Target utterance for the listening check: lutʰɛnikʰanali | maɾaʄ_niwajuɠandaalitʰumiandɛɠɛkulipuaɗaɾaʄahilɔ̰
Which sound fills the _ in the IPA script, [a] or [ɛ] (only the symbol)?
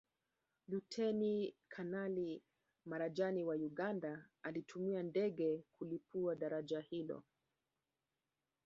a